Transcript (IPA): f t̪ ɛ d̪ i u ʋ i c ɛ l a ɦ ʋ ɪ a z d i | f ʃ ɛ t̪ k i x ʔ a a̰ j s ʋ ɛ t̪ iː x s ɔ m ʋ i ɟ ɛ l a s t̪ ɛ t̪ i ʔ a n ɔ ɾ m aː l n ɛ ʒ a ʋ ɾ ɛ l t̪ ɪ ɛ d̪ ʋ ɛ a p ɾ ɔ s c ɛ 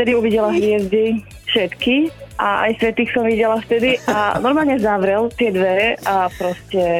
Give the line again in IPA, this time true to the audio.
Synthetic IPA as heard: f t̪ ɛ d̪ i u ʋ i ɟ ɛ l a ɦ ʋ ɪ ɛ z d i | f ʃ ɛ t̪ k i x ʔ a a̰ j s ʋ ɛ t̪ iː x s ɔ m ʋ i ɟ ɛ l a f t̪ ɛ d̪ i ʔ a n ɔ ɾ m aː l ɲ ɛ z a ʋ ɾ ɛ l t̪ ɪ ɛ d̪ ʋ ɛ a p ɾ ɔ s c ɛ